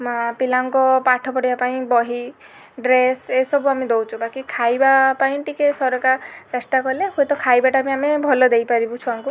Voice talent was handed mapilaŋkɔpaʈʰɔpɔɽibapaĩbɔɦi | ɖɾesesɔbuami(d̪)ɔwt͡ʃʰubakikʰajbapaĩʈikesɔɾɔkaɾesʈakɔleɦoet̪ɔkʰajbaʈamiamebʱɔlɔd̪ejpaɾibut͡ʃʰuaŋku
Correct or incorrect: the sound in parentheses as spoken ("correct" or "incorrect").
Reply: correct